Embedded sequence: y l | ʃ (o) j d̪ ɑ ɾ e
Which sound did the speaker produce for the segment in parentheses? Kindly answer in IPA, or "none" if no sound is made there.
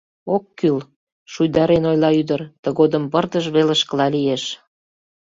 u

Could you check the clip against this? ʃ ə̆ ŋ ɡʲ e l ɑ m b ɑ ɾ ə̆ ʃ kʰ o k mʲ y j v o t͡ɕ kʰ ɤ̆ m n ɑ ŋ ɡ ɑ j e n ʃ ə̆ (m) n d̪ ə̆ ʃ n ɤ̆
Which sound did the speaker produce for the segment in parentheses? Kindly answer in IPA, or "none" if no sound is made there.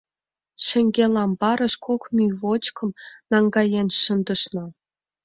none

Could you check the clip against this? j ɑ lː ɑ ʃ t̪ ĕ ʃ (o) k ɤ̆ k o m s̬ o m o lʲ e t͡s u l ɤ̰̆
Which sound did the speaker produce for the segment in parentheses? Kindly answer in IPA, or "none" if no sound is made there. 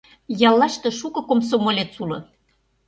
u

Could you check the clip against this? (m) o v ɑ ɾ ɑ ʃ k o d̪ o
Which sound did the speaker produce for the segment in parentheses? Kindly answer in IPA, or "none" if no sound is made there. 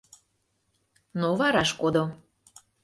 n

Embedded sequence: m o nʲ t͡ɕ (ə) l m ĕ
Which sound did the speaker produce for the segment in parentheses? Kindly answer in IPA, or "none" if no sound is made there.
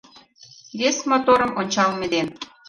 ɑ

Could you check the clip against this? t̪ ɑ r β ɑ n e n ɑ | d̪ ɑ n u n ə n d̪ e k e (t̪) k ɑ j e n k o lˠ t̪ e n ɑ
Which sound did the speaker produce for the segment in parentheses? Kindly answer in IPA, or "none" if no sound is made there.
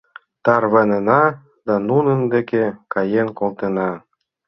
none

